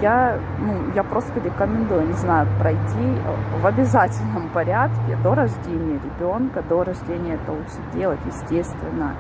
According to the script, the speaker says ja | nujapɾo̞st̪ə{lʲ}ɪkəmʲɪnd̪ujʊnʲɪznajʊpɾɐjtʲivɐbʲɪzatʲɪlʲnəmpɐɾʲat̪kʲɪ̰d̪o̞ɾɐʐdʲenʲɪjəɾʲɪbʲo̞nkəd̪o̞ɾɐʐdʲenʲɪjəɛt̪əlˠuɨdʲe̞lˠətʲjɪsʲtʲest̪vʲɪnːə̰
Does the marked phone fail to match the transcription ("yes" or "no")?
yes